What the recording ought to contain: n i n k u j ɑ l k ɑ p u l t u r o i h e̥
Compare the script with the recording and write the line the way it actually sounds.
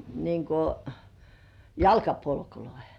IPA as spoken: n i ŋ k o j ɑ l k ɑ p o l k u l o i h e̥